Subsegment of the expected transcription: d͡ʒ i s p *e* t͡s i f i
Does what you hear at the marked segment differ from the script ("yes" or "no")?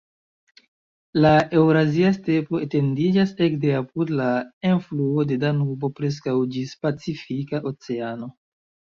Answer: yes